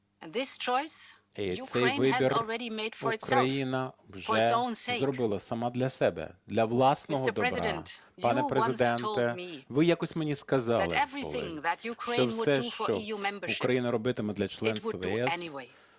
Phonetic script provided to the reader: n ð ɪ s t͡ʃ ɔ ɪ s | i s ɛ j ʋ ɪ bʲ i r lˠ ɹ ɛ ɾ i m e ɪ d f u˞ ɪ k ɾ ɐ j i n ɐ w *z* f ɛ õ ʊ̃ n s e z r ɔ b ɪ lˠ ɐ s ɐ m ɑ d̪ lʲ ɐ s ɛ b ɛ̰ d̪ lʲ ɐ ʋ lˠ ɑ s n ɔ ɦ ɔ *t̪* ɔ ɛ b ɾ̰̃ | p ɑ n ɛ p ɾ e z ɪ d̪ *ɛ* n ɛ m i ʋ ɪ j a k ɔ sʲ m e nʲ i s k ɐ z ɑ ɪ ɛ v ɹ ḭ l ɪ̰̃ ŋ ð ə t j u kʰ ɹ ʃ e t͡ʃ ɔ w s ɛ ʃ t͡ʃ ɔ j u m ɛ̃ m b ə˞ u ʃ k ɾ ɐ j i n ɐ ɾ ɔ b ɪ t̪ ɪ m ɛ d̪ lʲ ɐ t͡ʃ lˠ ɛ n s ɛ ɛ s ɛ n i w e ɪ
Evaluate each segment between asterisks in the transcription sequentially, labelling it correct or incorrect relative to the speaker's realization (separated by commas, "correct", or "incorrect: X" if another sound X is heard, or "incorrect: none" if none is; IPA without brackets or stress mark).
incorrect: ʒ, incorrect: d̪, correct